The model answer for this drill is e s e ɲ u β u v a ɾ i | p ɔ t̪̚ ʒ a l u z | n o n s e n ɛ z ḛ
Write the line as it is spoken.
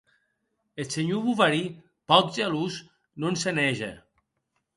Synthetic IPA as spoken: e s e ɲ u β u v a ɾ i | p ɔ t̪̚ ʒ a l u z | n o n s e n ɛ ʒ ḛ